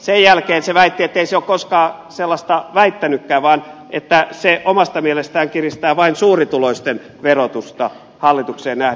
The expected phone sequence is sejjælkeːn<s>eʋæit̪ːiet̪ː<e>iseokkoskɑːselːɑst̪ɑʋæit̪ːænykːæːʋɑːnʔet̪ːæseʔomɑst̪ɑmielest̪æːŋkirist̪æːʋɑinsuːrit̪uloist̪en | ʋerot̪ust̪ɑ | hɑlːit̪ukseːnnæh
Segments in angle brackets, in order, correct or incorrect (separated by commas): correct, correct